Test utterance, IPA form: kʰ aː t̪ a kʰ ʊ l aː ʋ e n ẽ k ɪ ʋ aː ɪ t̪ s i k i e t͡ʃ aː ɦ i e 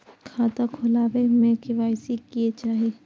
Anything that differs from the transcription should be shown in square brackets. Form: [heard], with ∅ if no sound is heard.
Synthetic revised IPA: kʰ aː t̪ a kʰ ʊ l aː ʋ e [m] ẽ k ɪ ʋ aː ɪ [∅] s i k i e t͡ʃ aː ɦ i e

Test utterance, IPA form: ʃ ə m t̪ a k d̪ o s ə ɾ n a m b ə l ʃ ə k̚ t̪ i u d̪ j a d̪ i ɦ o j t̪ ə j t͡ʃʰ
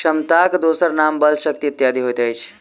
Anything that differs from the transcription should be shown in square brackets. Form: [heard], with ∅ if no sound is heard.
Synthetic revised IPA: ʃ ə m t̪ a k d̪ o s ə ɾ n a m b ə l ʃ ə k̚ t̪ i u [t̪] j a d̪ i ɦ o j t̪ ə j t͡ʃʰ

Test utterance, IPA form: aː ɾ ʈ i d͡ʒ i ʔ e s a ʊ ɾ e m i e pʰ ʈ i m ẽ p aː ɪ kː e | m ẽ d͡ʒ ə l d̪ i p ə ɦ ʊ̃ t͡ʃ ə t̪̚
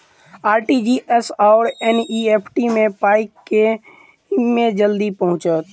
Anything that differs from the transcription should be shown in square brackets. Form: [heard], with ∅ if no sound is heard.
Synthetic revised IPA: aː ɾ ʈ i d͡ʒ i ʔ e s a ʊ ɾ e [n] i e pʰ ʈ i m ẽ p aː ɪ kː e | m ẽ d͡ʒ ə l d̪ i p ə ɦ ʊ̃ t͡ʃ ə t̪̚

